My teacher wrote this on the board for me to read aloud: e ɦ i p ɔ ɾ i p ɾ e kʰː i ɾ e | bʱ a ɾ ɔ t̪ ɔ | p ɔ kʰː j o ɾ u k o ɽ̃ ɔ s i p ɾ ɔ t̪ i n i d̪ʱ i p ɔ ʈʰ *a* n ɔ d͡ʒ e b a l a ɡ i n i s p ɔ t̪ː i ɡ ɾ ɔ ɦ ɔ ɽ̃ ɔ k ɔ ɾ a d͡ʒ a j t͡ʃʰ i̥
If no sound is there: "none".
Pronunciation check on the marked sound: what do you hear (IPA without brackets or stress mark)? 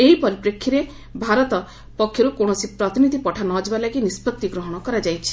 a